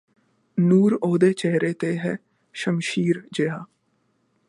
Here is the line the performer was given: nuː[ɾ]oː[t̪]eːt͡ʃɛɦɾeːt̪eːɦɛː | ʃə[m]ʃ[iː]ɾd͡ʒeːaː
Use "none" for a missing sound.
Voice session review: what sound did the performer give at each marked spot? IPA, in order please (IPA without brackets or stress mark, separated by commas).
ɾ, d̪, m, iː